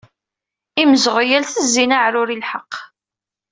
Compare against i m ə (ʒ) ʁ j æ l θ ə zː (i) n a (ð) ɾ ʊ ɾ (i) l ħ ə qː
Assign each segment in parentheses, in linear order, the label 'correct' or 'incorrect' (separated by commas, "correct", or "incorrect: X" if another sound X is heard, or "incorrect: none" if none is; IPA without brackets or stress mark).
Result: incorrect: z, correct, incorrect: ʕ, correct